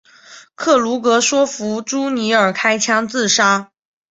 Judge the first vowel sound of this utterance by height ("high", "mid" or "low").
mid